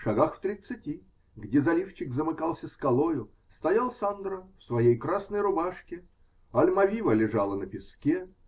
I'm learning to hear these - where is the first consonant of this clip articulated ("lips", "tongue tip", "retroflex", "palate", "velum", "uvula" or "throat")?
retroflex